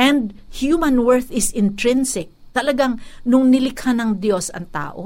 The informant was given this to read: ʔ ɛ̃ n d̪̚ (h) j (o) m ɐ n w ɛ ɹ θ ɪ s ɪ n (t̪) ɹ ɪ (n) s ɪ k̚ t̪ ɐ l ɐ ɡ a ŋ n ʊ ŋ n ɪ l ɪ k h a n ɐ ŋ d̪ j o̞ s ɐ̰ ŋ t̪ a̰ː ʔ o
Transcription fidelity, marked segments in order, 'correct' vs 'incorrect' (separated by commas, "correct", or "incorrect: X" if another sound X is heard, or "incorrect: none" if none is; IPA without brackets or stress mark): correct, incorrect: u, correct, correct